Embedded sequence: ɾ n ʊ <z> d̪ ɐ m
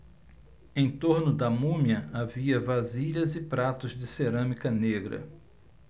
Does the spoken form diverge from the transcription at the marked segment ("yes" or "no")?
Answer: yes